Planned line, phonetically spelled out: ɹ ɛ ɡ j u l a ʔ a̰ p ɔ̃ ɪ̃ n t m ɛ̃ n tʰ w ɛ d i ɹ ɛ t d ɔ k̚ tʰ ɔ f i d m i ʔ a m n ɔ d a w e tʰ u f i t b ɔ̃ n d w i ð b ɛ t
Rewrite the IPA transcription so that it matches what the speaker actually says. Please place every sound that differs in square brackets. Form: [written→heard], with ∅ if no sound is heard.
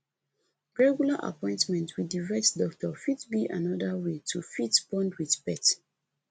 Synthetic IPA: ɹ ɛ ɡ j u l a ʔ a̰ p ɔ̃ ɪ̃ n t m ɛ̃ n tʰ w [ɛ→i] d i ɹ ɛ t d ɔ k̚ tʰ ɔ f i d [m→b] i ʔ a [m→∅] n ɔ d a w e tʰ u f i t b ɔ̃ n d w i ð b ɛ t